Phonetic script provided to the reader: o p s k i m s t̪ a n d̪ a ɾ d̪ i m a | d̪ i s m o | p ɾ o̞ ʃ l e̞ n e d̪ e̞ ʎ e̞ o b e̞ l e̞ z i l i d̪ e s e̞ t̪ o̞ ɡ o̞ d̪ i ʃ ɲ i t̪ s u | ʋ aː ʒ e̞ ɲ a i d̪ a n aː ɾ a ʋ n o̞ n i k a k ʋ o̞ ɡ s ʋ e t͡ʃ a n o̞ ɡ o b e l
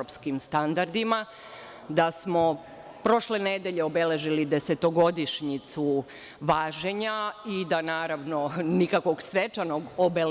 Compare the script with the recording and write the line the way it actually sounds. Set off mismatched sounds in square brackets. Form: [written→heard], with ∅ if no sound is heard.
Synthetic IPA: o p s k i m s t̪ a n d̪ a ɾ d̪ i m a | d̪ [i→a] s m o | p ɾ o̞ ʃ l e̞ n e d̪ e̞ ʎ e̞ o b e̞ l e̞ [z→ʒ] i l i d̪ e s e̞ t̪ o̞ ɡ o̞ d̪ i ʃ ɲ i t̪ s u | ʋ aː ʒ e̞ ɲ a i d̪ a n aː ɾ a ʋ n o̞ n i k a k ʋ o̞ ɡ s ʋ e t͡ʃ a n o̞ ɡ o b e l